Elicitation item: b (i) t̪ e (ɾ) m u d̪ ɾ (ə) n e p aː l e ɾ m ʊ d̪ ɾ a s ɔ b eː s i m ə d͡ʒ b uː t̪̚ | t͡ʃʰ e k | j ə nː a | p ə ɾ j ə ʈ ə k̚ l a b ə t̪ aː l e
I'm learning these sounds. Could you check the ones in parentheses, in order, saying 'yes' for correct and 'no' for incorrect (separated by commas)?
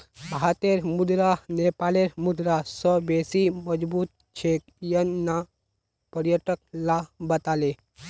no, yes, no